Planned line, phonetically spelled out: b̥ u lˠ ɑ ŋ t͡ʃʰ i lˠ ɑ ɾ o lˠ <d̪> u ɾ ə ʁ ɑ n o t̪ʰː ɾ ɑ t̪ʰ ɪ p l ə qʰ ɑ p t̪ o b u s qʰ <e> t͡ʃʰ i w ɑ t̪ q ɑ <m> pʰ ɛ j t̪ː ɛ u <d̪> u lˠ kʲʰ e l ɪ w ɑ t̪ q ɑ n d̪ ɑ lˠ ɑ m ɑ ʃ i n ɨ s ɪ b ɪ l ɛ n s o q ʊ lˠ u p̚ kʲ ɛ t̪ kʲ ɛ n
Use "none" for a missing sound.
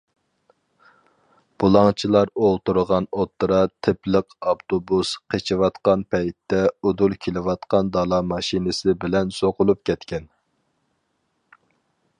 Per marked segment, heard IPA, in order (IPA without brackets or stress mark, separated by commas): t̪, e, n, d̪